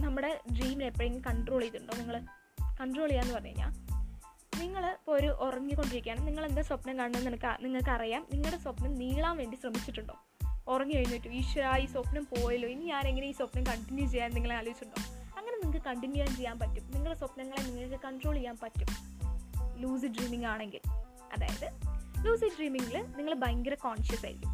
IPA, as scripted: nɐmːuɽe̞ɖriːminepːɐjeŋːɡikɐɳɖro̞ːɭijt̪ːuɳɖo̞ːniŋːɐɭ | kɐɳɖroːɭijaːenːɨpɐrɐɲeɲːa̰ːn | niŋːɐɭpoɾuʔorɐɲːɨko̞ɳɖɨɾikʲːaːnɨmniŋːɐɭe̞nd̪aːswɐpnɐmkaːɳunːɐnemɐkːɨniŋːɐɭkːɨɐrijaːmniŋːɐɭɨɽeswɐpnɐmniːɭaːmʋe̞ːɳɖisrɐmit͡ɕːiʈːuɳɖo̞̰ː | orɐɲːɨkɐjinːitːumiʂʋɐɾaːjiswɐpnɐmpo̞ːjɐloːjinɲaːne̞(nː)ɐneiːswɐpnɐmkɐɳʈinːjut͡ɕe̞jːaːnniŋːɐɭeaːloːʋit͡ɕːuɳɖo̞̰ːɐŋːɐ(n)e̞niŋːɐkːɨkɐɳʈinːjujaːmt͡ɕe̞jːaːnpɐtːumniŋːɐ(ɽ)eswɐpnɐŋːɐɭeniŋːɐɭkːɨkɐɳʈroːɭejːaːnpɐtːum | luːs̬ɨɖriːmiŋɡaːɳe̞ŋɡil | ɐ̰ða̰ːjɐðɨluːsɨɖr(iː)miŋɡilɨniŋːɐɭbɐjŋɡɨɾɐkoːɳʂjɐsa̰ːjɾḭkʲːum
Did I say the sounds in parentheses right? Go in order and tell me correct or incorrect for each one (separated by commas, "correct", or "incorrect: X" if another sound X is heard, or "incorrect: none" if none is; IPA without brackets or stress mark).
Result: incorrect: ŋː, correct, incorrect: ɭ, correct